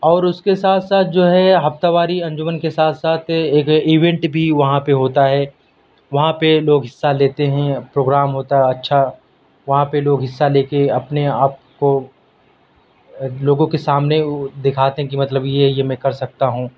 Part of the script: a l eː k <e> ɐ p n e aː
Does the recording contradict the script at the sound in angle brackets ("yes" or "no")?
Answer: no